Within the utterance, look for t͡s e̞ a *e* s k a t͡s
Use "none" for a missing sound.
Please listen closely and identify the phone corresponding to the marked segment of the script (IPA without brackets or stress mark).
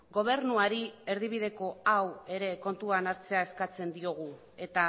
e